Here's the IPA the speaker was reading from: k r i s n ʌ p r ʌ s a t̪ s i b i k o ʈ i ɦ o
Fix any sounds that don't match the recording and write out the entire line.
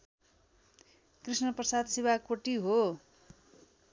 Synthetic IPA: k r i s n ʌ p r ʌ s a d̪ s i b a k o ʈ i ɦ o